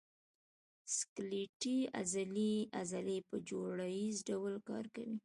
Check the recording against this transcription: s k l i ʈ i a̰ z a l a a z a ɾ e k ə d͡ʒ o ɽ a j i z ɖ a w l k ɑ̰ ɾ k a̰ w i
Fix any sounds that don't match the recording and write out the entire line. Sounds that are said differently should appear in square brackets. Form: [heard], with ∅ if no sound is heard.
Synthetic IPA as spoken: s k l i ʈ i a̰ z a l [i] a z a [l] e [p] ə d͡ʒ o ɽ a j i z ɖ a w l k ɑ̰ ɾ k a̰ w i